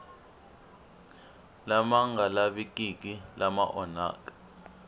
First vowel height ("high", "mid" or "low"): low